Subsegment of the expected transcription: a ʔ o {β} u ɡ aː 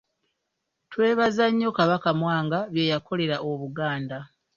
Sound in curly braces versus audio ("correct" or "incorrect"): correct